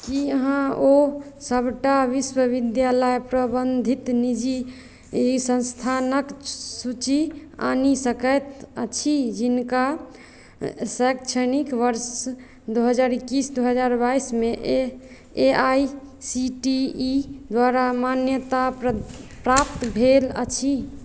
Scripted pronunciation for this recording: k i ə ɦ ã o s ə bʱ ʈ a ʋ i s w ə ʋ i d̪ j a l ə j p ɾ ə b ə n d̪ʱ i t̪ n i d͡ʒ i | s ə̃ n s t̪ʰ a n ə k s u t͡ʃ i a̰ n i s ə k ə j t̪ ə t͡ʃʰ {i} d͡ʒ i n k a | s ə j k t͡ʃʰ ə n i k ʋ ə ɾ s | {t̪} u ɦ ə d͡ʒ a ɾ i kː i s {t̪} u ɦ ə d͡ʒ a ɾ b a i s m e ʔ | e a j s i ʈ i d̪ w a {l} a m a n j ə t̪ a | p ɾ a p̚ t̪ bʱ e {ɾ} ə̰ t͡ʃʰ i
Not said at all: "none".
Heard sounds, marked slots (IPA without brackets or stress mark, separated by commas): i, d̪, d̪, ɾ, l